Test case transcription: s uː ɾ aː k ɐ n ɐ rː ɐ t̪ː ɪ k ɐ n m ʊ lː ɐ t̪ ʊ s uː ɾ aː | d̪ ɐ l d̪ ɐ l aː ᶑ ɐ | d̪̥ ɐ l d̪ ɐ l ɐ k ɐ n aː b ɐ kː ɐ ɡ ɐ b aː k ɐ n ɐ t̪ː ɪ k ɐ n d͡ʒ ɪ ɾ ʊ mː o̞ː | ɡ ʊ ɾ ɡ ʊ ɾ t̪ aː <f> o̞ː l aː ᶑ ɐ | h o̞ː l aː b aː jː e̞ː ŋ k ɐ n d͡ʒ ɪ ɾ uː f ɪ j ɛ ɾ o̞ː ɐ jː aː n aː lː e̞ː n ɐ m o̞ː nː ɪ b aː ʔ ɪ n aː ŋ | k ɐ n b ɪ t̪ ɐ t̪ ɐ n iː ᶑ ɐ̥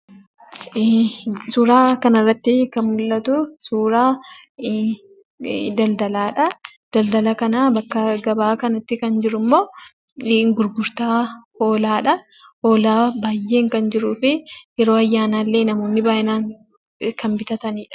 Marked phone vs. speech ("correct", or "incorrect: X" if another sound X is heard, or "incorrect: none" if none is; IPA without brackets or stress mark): incorrect: h